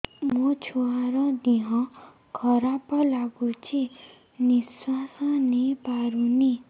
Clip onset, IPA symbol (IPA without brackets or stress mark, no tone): m